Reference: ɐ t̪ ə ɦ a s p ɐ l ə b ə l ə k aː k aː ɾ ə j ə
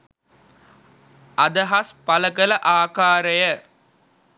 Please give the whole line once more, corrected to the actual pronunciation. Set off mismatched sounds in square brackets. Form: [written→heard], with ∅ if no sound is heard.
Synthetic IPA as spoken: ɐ [t̪→d̪] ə ɦ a s p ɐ l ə [b→ɡ] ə l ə [k→ʔ] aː k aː ɾ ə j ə